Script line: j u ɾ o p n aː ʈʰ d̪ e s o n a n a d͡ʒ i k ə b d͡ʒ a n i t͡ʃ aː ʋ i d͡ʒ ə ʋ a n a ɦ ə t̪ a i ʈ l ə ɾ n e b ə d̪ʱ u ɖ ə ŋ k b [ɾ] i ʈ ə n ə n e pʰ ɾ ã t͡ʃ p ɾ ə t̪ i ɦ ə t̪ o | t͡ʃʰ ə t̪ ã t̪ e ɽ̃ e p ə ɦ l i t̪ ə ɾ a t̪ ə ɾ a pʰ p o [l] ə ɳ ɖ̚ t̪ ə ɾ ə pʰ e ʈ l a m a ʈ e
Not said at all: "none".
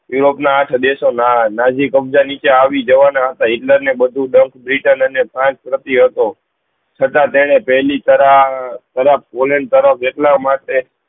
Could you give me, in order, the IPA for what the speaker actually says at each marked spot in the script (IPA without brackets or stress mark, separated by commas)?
ɾ, l